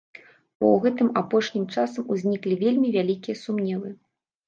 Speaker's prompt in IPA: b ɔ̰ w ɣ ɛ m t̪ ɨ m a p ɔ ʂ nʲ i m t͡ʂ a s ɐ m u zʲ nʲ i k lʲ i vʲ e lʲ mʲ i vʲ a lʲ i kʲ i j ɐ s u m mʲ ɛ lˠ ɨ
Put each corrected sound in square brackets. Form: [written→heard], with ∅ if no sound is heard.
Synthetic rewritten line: b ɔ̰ w ɣ ɛ [m→∅] t̪ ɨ m a p ɔ ʂ nʲ i m t͡ʂ a s ɐ m u zʲ nʲ i k lʲ i vʲ e lʲ mʲ i vʲ a lʲ i kʲ i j ɐ s u m [mʲ→nʲ] ɛ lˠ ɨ